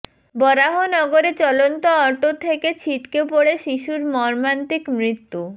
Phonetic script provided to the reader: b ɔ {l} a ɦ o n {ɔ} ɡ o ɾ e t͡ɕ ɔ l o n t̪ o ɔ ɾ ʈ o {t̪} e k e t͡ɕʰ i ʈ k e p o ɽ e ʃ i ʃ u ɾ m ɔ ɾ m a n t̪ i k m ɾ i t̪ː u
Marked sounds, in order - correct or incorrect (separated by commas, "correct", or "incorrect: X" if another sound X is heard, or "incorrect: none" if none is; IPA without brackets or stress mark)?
incorrect: ɾ, correct, incorrect: t̪ʰ